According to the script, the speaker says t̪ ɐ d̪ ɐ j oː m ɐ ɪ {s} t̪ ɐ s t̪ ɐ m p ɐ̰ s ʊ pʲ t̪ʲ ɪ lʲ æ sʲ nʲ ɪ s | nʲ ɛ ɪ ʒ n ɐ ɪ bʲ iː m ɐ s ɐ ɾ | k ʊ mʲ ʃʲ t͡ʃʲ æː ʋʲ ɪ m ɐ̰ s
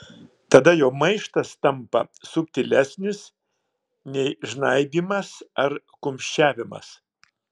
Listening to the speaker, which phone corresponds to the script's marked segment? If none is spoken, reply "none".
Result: ʃ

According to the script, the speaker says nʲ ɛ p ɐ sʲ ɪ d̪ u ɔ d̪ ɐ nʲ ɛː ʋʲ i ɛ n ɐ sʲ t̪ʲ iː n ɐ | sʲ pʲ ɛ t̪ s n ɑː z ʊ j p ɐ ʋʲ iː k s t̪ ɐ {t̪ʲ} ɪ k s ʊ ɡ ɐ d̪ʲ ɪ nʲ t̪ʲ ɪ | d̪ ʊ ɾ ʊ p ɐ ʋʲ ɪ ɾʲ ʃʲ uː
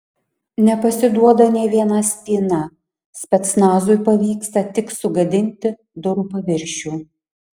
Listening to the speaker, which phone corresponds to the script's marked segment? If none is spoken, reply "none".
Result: t̪ʲ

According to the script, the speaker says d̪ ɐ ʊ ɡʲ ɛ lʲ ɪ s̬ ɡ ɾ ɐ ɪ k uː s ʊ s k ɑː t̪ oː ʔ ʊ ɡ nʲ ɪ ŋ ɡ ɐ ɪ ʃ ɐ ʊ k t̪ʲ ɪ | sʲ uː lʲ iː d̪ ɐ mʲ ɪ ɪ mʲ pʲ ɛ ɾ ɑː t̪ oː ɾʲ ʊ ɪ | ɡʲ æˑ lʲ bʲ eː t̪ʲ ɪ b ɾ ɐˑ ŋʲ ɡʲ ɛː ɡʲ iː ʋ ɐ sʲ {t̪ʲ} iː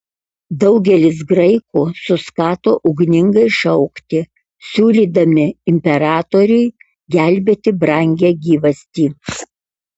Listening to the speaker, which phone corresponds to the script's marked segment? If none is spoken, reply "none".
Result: t̪ʲ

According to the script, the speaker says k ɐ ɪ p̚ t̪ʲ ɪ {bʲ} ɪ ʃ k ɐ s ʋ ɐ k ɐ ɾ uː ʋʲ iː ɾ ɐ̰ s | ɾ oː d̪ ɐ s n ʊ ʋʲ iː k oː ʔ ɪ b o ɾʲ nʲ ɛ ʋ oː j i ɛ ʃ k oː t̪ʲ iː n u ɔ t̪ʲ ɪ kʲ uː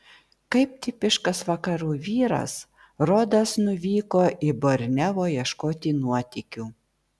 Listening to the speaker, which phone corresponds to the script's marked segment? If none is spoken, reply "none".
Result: pʲ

